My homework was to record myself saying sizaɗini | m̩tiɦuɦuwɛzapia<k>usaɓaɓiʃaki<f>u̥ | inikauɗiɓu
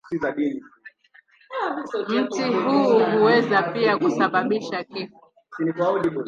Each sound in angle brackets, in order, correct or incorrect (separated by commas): correct, correct